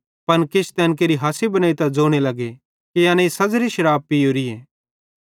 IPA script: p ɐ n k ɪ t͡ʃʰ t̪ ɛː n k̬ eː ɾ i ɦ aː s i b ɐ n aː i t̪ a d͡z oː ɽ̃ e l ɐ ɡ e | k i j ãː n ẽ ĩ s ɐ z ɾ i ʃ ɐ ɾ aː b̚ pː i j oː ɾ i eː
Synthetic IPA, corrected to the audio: p ɐ n k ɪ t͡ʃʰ t̪ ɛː n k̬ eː ɾ i ɦ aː s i b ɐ n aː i t̪ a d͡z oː ɽ̃ e l ɐ ɡ e | k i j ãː n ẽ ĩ s ɐ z ɾ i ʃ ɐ ɾ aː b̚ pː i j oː ɾ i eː